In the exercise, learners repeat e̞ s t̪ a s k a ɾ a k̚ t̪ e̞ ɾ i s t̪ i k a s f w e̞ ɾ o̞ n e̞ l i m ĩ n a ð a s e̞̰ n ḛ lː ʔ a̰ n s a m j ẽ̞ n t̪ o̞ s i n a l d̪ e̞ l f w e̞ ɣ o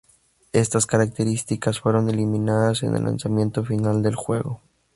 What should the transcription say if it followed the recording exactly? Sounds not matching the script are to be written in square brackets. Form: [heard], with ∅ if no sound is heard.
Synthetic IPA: e̞ s t̪ a s k a ɾ a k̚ t̪ e̞ ɾ i s t̪ i k a s f w e̞ ɾ o̞ n e̞ l i m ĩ n a ð a s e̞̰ n ḛ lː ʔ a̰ n s a m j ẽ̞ n t̪ o̞ [f] i n a l d̪ e̞ l [x] w e̞ ɣ o